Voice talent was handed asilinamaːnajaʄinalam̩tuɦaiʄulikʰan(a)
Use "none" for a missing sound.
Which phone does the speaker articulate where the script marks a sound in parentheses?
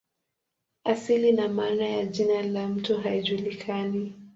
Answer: i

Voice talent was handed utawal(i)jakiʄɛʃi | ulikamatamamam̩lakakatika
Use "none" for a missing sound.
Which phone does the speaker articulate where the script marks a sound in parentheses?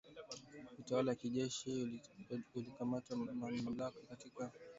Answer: a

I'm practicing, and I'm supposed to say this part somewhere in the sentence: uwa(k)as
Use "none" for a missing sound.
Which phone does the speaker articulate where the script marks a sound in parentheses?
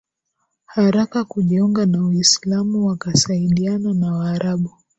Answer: k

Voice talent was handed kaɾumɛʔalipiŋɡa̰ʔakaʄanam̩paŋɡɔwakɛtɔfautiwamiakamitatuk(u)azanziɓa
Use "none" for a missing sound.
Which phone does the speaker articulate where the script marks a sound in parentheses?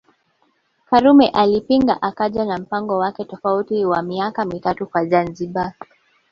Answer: w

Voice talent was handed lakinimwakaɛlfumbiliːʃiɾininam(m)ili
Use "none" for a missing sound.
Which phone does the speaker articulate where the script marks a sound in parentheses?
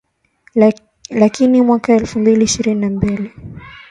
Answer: b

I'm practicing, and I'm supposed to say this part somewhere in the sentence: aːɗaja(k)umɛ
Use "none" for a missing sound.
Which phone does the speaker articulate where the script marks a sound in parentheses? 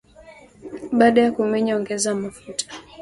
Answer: k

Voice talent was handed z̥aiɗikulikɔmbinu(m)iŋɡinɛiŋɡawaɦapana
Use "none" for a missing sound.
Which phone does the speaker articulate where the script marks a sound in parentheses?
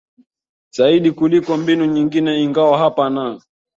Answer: ɲ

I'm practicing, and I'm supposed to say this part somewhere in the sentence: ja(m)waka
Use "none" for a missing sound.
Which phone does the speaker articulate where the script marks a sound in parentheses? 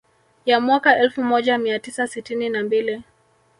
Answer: m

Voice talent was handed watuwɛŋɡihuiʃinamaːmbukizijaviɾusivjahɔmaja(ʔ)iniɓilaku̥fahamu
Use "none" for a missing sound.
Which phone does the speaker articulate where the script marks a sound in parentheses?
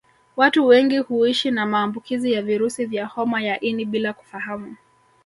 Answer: ʔ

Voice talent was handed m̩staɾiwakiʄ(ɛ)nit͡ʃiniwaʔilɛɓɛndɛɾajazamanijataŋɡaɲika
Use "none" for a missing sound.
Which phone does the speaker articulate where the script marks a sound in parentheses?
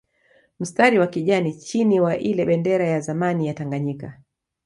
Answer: a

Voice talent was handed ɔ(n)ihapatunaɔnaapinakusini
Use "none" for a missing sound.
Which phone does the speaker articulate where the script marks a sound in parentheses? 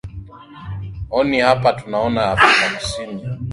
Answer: n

